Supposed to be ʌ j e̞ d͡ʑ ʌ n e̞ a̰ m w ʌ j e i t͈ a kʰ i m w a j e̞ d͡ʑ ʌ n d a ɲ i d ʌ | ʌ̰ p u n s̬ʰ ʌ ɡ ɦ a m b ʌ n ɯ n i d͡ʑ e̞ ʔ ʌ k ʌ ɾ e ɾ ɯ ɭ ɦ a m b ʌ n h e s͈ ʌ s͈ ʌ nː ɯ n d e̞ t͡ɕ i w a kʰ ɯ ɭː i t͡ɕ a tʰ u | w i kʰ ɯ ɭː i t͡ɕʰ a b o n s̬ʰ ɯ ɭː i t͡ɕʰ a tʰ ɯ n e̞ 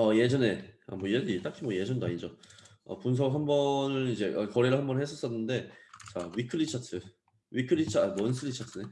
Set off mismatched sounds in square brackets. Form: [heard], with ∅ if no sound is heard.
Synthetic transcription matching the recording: ʌ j e̞ d͡ʑ ʌ n e̞ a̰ m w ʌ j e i t͈ a kʰ i m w [ʌ] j e̞ d͡ʑ ʌ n d a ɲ i [d͡ʑ] ʌ | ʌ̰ p u n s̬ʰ ʌ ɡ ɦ a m b ʌ n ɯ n i d͡ʑ e̞ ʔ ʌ k ʌ ɾ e ɾ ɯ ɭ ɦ a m b ʌ n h e s͈ ʌ s͈ ʌ nː ɯ n d e̞ t͡ɕ [a] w [i] kʰ ɯ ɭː i [t͡ɕʰ] a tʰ [ɯ] | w i kʰ ɯ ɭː i t͡ɕʰ a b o n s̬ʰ ɯ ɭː i t͡ɕʰ a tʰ ɯ n e̞